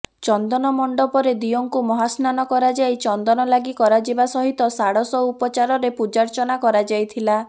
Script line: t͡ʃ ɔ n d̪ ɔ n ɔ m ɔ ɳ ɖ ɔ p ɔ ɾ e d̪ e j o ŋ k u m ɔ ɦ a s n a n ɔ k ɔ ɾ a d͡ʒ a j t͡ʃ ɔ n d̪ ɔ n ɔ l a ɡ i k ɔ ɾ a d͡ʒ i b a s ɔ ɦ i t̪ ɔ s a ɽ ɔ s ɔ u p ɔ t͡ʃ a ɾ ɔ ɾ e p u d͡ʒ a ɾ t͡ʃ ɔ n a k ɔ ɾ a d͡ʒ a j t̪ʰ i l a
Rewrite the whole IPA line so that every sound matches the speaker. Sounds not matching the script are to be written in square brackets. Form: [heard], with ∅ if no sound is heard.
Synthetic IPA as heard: t͡ʃ ɔ n d̪ ɔ n ɔ m ɔ ɳ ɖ ɔ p ɔ ɾ e d̪ [i] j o ŋ k u m ɔ ɦ a s n a n ɔ k ɔ ɾ a d͡ʒ a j t͡ʃ ɔ n d̪ ɔ n ɔ l a ɡ i k ɔ ɾ a d͡ʒ i b a s ɔ ɦ i t̪ ɔ s a ɽ ɔ s ɔ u p ɔ t͡ʃ a ɾ ɔ ɾ e p u d͡ʒ a ɾ t͡ʃ ɔ n a k ɔ ɾ a d͡ʒ a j t̪ʰ i l a